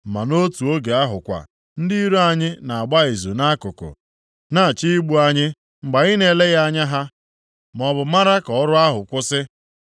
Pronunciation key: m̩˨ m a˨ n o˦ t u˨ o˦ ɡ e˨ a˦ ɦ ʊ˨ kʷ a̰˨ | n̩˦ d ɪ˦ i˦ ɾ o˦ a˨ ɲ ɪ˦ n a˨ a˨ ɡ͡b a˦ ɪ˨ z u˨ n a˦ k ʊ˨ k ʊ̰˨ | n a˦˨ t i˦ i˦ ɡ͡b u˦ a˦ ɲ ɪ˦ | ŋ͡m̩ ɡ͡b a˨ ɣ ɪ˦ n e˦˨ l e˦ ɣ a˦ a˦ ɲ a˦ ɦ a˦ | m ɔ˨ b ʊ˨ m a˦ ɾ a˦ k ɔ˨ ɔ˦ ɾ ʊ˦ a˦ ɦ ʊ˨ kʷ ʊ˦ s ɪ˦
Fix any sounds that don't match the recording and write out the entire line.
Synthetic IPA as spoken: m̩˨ m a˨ n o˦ t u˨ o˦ ɡ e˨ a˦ ɦ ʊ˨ kʷ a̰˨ | n̩˦ d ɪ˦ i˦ ɾ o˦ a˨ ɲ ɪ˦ n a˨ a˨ ɡ͡b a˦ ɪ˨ z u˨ n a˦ k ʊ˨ k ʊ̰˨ | n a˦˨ t͡ʃ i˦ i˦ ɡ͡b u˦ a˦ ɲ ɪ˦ | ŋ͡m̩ ɡ͡b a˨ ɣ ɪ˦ n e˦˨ l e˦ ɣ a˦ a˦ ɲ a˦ ɦ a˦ | m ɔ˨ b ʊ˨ m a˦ ɾ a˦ k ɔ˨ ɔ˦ ɾ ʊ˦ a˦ ɦ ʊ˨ kʷ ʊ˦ s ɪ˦